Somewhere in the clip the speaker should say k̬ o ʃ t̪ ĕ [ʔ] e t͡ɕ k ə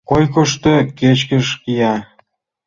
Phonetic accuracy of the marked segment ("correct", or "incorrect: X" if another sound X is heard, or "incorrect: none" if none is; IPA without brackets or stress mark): incorrect: k